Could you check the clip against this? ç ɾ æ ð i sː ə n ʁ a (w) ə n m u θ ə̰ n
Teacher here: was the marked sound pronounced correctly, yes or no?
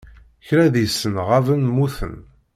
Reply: no